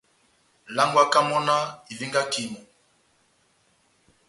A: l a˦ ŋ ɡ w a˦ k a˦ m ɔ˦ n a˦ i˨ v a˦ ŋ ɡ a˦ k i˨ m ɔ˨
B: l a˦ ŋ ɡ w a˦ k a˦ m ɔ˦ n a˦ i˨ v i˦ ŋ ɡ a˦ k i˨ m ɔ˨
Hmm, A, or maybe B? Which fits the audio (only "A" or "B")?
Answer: B